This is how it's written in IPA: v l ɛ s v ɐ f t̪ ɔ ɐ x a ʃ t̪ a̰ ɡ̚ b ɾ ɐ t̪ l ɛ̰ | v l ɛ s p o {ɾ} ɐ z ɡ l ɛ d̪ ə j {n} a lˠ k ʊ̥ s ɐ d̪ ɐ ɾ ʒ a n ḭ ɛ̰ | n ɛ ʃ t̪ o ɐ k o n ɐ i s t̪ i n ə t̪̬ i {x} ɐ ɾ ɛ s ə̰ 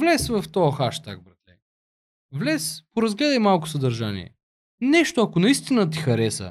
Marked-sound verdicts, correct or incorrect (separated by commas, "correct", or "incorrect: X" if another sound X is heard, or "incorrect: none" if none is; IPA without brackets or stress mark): correct, incorrect: m, correct